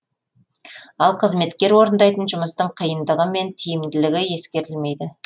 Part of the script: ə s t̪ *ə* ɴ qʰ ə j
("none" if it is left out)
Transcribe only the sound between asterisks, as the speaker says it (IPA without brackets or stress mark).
ə